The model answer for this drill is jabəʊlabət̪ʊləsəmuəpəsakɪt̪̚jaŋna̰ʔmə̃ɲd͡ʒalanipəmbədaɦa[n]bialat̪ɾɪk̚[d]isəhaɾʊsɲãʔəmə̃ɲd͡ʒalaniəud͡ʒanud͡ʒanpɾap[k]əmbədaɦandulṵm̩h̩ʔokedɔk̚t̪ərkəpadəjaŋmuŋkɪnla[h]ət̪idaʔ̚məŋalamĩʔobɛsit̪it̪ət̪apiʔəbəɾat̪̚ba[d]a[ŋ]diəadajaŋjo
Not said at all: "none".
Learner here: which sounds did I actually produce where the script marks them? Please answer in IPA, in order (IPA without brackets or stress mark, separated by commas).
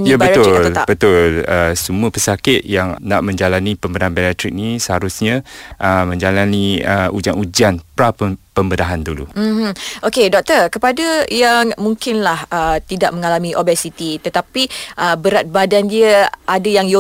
n, n, p, h, d, n